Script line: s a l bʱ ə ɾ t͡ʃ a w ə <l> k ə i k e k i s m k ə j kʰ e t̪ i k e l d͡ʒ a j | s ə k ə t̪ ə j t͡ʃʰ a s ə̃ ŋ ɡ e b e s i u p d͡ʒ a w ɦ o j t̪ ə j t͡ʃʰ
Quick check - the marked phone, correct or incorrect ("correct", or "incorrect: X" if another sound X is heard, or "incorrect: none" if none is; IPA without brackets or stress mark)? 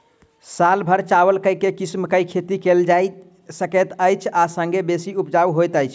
correct